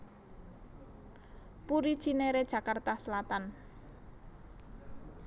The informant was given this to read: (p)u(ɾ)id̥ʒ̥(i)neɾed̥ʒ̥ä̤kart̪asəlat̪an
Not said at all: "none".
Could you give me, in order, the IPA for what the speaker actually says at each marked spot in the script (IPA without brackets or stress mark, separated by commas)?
p, ɾ, i